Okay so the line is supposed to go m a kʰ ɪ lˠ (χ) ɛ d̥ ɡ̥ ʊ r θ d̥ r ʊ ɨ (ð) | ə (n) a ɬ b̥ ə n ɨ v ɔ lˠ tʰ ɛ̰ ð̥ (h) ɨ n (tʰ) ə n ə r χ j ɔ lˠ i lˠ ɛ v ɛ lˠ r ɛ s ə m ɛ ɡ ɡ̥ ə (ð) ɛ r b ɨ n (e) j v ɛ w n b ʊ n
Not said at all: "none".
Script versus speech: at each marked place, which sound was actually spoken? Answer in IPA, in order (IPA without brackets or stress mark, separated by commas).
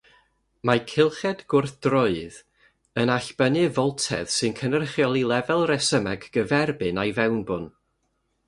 χ, ð, n, s, kʰ, v, a